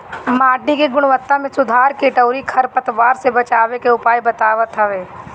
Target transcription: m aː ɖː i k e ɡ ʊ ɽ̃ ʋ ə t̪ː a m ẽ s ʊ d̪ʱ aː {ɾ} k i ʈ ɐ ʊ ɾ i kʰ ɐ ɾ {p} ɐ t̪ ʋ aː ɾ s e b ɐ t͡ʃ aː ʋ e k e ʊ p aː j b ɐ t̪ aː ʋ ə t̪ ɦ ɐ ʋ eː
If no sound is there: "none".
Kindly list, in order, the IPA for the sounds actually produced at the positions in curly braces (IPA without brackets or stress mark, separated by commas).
ɾ, p